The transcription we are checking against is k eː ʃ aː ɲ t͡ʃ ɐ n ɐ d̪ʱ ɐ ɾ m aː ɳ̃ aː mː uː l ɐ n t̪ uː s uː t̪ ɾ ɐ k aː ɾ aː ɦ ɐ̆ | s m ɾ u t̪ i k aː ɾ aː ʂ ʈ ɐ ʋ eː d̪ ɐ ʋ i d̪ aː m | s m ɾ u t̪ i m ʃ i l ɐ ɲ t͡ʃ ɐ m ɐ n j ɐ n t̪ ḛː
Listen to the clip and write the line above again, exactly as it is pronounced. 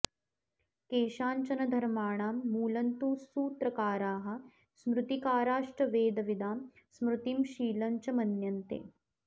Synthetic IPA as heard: k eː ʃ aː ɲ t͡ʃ ɐ n ɐ d̪ʱ ɐ ɾ m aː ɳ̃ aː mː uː l ɐ n t̪ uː s uː t̪ ɾ ɐ k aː ɾ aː ɦ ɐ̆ | s m ɾ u t̪ i k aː ɾ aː ʂ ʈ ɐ ʋ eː d̪ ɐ ʋ i d̪ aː m | s m ɾ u t̪ i m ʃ iː l ɐ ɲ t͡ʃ ɐ m ɐ n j ɐ n t̪ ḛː